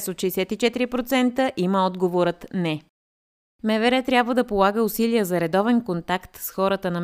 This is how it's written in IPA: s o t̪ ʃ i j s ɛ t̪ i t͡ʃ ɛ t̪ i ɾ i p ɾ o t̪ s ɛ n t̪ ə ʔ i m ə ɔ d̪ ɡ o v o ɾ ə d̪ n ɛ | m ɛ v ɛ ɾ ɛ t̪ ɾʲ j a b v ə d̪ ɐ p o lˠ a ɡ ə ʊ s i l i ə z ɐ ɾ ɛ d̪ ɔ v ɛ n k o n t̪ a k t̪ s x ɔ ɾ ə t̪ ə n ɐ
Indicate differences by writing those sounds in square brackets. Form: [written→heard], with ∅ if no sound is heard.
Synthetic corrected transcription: s o t̪ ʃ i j s ɛ t̪ i t͡ʃ ɛ t̪ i ɾ i p ɾ o t̪ s ɛ n t̪ ə ʔ i m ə ɔ d̪ ɡ o v o ɾ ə [d̪→t̪] n ɛ | m ɛ v ɛ ɾ ɛ t̪ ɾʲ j a b v ə d̪ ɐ p o lˠ a ɡ ə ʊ s i l i ə z ɐ ɾ ɛ d̪ ɔ v ɛ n k o n t̪ a k t̪ s x ɔ ɾ ə t̪ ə n ɐ